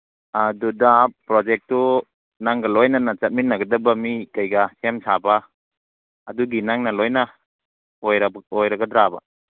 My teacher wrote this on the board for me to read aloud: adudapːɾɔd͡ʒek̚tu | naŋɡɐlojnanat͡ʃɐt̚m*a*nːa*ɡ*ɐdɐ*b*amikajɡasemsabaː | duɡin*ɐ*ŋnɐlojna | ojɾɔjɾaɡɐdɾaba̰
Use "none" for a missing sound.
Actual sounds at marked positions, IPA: i, ɡ, b, a

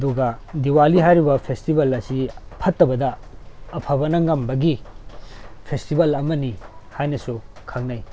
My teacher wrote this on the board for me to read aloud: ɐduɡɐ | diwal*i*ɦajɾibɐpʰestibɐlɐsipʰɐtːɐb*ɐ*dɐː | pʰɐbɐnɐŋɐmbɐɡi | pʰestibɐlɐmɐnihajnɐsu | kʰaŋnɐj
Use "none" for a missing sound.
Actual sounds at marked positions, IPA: i, ɐ

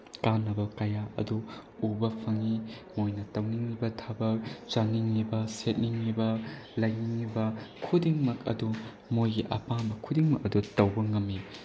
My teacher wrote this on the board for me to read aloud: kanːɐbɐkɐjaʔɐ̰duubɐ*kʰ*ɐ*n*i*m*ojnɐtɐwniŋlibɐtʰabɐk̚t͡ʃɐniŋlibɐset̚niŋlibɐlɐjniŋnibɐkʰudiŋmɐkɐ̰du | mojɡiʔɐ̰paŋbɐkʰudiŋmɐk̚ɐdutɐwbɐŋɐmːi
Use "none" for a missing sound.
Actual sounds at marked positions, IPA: pʰ, ŋ, m

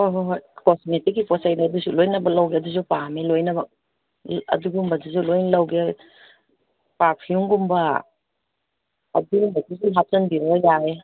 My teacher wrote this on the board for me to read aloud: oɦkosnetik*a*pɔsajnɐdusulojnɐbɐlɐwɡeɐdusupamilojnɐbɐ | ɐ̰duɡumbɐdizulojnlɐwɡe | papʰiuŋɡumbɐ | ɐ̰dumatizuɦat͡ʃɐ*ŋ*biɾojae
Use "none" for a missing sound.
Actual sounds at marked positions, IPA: i, n

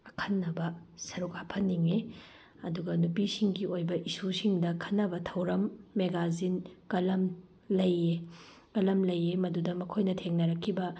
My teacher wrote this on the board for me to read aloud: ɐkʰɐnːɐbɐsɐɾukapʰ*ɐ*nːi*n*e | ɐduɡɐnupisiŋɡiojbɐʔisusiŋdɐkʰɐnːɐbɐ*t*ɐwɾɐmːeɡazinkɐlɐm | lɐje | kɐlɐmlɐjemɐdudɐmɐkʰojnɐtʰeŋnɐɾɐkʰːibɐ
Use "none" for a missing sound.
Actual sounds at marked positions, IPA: ɐ, ŋ, tʰ

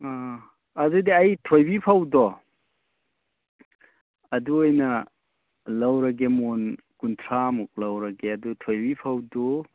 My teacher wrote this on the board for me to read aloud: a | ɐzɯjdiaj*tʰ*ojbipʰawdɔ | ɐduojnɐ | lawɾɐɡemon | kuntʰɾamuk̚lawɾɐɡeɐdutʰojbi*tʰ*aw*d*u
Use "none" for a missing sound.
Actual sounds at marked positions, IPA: tʰ, pʰ, d

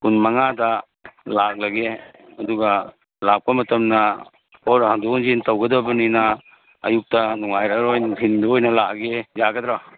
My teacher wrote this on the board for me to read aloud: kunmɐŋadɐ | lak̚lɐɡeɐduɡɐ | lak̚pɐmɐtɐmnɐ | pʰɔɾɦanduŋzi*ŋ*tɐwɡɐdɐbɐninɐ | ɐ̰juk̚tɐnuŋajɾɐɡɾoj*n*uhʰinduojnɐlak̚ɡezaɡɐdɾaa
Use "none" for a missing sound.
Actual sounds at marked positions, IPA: n, n

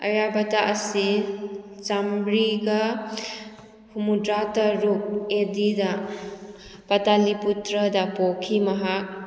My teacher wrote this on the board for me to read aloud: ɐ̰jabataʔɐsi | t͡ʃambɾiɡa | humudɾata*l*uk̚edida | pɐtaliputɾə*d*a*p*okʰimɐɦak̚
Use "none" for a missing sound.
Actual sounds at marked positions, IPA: ɾ, d, p

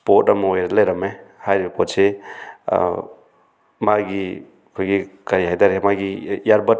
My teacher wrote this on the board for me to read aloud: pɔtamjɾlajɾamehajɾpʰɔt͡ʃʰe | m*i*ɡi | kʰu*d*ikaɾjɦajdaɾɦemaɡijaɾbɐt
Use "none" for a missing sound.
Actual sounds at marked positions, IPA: a, ɡ

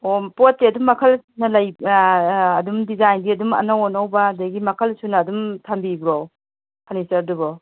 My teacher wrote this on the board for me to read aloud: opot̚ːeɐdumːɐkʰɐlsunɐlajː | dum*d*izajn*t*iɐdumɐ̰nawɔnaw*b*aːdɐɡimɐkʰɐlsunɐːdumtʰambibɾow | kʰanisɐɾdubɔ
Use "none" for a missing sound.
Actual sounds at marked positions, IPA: d, d, b

